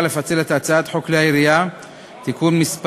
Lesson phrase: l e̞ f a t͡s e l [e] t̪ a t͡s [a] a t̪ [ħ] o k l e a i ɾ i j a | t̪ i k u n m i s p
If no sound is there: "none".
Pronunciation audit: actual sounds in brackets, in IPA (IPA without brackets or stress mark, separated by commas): e, a, ħ